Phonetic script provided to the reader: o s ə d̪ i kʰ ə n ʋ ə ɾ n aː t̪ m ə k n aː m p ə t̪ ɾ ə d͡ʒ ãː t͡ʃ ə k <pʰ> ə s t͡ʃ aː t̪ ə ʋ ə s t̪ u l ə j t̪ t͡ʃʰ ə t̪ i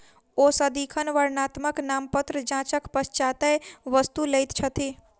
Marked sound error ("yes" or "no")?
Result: yes